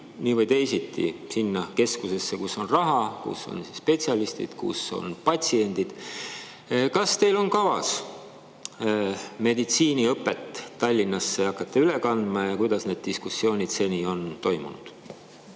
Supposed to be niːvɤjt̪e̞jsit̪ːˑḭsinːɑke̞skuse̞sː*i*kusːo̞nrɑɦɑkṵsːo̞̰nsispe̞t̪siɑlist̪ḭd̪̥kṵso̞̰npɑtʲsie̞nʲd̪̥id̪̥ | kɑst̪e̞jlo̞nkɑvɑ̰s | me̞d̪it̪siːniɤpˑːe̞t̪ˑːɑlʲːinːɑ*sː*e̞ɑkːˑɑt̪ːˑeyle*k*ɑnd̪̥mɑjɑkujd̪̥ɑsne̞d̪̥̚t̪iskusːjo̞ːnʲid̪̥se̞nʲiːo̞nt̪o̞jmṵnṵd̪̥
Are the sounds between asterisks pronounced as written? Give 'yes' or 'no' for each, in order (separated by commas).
no, yes, yes